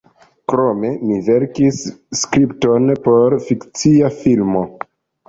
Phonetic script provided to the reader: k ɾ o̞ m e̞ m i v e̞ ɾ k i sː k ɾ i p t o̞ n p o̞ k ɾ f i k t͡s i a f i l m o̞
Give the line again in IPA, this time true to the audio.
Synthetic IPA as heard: k ɾ o̞ m e̞ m i v e̞ ɾ k i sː k ɾ i p t o̞ n p o̞ ɾ f i k t͡s i a f i l m o̞